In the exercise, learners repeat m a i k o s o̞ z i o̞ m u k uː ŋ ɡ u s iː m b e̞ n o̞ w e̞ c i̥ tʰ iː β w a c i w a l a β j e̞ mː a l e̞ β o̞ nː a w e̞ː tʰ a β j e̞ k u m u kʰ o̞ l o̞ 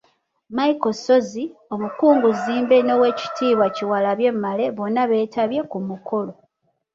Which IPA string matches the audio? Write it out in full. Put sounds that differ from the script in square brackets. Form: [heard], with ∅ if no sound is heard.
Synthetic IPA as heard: m a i k o s o̞ z i o̞ m u k uː ŋ ɡ u [z] iː m b e̞ n o̞ w e̞ c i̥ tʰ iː β w a c i w a l a β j e̞ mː a l e̞ β o̞ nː a [β] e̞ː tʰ a β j e̞ k u m u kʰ o̞ l o̞